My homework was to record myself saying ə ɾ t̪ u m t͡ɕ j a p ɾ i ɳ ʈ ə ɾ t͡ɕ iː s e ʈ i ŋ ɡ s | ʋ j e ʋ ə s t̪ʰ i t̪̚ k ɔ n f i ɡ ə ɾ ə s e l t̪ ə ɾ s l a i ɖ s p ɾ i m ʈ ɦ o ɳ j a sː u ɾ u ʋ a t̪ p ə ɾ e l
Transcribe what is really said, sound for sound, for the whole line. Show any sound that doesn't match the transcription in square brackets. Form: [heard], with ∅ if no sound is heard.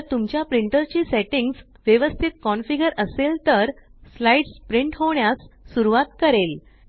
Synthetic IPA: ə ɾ t̪ u m t͡ɕ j a p ɾ i ɳ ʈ ə ɾ t͡ɕ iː s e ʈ i ŋ ɡ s | ʋ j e ʋ ə s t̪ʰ i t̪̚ k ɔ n f i ɡ ə ɾ ə s e l t̪ ə ɾ s l a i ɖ s p ɾ i [ɳ] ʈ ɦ o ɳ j a sː u ɾ u ʋ a t̪ [k] ə ɾ e l